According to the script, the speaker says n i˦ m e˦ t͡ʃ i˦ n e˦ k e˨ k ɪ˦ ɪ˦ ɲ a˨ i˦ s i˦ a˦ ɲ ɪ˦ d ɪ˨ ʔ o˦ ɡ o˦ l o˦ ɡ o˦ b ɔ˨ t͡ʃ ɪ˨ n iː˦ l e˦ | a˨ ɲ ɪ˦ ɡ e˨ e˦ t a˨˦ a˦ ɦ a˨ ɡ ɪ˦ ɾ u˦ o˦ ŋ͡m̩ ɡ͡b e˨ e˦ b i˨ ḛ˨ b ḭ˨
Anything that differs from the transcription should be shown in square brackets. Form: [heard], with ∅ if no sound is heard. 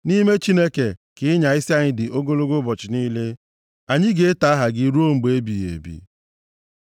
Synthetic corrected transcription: n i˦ m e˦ t͡ʃ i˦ n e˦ k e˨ k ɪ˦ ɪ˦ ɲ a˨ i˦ s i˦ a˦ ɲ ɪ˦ d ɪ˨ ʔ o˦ ɡ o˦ l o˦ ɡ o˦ b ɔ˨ t͡ʃ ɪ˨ n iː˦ l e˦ | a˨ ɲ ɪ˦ ɡ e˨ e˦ t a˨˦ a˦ ɦ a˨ ɡ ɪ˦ ɾ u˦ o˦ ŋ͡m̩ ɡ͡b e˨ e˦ b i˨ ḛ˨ b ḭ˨